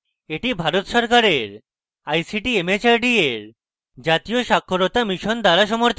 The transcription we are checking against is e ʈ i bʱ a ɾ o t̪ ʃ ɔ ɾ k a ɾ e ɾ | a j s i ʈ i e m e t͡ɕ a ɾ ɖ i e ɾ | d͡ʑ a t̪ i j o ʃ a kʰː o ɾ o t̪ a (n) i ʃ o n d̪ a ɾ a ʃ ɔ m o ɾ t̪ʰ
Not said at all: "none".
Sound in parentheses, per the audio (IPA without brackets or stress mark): m